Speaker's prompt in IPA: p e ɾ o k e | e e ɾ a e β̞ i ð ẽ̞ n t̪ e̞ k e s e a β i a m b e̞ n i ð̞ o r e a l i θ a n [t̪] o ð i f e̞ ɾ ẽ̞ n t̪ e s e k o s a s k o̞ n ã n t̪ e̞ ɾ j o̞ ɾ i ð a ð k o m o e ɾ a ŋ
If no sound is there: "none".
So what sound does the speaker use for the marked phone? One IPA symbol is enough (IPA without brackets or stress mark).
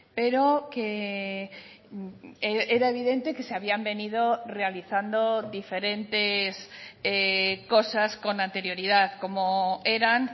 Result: d̪